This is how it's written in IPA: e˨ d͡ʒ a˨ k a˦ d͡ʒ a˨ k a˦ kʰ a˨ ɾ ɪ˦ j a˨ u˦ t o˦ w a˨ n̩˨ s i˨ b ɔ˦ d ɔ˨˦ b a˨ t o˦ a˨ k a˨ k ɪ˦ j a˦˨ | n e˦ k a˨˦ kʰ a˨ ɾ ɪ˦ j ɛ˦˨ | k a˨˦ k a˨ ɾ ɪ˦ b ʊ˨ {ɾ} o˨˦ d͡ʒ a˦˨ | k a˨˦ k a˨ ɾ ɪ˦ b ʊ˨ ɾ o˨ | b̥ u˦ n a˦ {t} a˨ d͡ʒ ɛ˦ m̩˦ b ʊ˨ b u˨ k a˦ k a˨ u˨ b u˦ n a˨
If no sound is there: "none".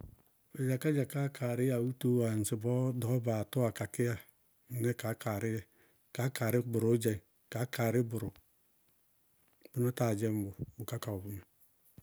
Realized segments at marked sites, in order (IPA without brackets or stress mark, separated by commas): ɾ, t